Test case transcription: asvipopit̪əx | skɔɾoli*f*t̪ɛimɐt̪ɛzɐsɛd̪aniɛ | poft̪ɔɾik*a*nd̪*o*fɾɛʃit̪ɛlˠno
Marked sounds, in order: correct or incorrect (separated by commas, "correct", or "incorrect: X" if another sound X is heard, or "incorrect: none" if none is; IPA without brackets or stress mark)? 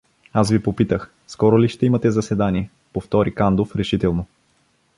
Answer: incorrect: ʃ, correct, correct